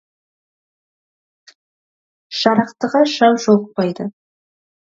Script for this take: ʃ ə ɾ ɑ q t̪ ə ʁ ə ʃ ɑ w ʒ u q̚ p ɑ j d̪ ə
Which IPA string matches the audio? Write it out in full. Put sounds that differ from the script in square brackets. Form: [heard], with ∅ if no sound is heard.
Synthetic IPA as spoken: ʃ [ɑ] ɾ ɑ q t̪ ə ʁ [ɑ] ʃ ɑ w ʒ [o] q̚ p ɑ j d̪ ə